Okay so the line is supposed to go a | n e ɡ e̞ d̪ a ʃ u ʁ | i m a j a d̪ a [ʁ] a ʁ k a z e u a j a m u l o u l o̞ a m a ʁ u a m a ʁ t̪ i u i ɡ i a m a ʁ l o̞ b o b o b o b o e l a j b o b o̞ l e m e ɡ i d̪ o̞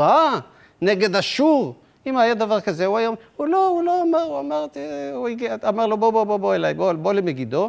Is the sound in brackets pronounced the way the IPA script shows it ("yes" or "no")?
no